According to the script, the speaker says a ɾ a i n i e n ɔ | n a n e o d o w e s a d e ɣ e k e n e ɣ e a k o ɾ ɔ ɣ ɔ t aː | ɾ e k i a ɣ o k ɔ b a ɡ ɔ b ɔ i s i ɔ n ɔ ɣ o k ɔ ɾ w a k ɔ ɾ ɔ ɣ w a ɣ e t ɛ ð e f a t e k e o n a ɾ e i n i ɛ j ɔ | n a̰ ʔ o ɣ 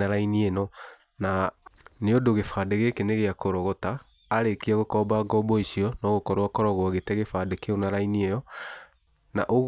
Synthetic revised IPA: a ɾ a i n i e n ɔ | n a n e o d o ɣ e f a d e ɣ e k e n e ɣ e a k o ɾ ɔ ɣ ɔ t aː | ɾ e k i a ɣ o k ɔ b a ɡ ɔ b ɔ i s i ɔ n ɔ ɣ o k ɔ ɾ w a k ɔ ɾ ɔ ɣ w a ɣ e t ɛ ɣ e f a d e k e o n a ɾ a i n i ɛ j ɔ | n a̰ ʔ o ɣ